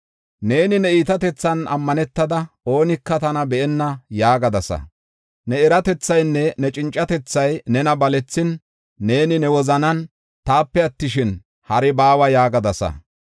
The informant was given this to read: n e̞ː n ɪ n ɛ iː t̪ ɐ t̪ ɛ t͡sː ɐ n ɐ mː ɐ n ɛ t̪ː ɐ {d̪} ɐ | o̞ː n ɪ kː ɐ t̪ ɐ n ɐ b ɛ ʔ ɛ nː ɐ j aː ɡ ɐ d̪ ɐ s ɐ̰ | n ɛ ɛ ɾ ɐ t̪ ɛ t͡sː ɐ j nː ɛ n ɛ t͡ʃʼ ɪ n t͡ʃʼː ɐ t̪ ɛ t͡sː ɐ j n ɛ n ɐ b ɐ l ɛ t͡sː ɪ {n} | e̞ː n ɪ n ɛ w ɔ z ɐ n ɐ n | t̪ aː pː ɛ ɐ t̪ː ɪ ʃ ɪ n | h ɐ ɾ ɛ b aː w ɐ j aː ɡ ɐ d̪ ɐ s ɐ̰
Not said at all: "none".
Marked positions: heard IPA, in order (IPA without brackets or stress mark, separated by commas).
d̪, nː